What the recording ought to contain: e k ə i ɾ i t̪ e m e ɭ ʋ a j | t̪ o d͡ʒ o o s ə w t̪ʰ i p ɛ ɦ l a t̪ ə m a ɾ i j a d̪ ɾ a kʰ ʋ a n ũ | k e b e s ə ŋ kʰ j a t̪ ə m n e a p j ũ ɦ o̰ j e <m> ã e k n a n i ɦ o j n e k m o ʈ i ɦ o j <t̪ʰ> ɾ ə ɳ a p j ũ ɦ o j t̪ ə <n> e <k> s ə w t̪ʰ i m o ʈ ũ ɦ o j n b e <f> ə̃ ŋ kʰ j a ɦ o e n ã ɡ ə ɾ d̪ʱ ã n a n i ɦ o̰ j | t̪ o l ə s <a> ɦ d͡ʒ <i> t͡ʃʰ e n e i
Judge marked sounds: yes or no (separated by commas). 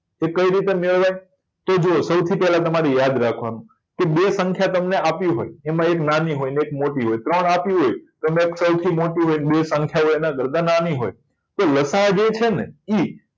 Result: yes, no, no, yes, no, yes, no